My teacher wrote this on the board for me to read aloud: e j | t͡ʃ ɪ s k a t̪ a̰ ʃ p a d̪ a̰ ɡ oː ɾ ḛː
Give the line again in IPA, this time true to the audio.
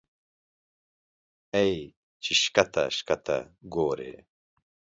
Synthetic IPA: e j | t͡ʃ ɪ ʃ k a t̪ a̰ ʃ k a t̪ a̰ ɡ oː ɾ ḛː